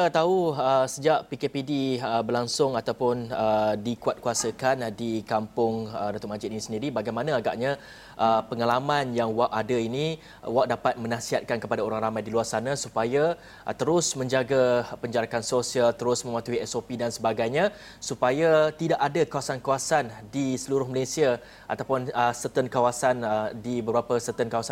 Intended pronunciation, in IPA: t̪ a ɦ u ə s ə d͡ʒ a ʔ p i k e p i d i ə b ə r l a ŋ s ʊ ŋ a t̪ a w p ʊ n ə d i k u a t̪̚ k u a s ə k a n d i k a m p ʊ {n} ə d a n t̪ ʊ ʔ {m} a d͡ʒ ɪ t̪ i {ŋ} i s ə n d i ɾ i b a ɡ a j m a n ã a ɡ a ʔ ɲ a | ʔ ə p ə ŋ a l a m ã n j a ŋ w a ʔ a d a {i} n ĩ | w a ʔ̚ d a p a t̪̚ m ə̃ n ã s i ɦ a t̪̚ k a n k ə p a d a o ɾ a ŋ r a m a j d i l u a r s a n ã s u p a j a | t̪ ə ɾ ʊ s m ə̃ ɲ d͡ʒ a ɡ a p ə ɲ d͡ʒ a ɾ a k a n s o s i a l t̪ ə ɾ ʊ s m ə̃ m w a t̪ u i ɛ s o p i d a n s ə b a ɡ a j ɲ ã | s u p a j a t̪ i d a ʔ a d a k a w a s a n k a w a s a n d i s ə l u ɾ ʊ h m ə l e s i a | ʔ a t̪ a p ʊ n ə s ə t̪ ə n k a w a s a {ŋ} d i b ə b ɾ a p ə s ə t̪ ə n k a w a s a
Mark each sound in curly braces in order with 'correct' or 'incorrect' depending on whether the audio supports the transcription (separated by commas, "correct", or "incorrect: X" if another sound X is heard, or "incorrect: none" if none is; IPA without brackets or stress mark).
incorrect: ŋ, correct, incorrect: n, correct, incorrect: n